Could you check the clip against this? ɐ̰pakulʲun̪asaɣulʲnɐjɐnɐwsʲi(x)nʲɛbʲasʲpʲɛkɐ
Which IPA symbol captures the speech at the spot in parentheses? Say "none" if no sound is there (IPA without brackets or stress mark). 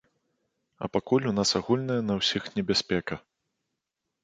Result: x